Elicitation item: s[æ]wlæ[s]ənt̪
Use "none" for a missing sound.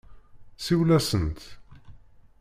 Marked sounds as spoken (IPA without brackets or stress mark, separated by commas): i, s